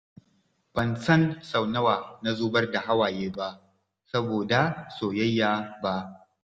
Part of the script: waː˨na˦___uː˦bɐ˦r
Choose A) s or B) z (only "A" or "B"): B